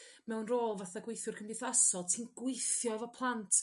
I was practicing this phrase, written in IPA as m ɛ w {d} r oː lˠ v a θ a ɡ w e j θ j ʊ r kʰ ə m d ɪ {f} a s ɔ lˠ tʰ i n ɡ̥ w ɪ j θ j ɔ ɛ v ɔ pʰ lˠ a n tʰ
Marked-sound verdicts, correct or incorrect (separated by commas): incorrect, incorrect